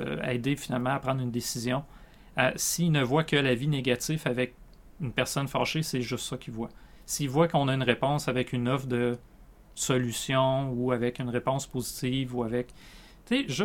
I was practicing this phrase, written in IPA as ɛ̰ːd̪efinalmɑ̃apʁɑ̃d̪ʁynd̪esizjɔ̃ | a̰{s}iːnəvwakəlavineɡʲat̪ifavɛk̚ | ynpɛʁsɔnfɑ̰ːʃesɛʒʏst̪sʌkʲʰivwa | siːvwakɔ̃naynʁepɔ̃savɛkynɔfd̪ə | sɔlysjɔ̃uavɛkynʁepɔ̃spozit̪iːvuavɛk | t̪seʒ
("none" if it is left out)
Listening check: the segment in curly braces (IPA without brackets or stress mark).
s